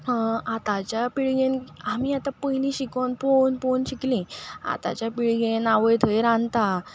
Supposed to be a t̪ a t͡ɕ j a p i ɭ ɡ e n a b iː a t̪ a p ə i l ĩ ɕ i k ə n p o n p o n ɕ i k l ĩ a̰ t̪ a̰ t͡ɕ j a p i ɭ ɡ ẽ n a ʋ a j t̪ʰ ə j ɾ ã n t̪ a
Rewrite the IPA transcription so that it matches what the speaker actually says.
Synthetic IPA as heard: a t̪ a t͡ɕ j a p i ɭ ɡ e n a m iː a t̪ a p ə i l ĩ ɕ i k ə n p o n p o n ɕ i k l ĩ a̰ t̪ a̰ t͡ɕ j a p i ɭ ɡ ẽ n a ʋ ə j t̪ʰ ə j ɾ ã n t̪ a